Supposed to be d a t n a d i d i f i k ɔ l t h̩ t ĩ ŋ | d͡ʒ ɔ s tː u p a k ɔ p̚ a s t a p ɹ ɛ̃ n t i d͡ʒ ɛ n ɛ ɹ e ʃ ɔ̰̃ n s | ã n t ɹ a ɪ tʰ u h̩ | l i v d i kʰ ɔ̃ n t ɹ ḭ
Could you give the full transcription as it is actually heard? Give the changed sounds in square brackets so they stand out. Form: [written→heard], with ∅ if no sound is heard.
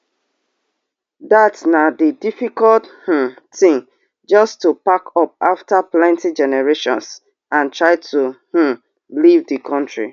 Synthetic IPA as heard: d a t n a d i d i f i k ɔ l t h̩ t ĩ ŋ | d͡ʒ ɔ s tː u p a k ɔ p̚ a [s→f] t a p [ɹ→l] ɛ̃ n t i d͡ʒ ɛ n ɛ ɹ e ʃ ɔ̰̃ n s | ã n t ɹ a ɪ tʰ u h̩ | l i v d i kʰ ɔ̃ n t ɹ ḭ